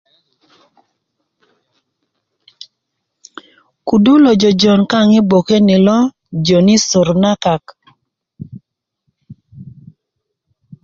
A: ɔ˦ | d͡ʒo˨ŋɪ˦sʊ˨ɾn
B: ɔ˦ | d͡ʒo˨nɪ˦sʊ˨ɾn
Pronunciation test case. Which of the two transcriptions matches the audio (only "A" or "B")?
B